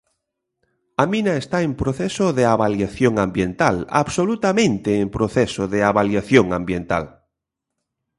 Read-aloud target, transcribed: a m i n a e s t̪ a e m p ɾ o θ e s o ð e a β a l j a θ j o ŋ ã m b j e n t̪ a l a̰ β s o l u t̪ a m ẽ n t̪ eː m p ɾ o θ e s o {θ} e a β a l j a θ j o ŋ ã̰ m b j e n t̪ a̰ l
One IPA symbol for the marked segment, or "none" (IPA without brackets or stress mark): ð